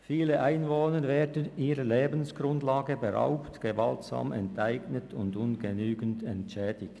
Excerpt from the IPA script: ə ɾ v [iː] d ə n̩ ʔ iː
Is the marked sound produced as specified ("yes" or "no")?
no